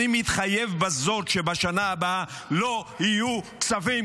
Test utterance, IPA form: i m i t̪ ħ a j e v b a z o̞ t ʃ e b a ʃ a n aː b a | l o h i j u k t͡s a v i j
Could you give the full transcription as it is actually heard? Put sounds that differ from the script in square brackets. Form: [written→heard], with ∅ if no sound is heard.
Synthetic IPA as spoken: i m i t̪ [ħ→χ] a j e v b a z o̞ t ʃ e b a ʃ a n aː b a | l o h i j u k t͡s a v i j